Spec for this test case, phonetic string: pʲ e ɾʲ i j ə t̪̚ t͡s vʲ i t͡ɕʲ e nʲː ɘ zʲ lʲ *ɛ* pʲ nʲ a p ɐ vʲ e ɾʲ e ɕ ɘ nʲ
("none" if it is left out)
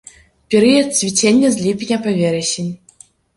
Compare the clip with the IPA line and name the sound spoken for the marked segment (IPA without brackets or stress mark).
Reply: i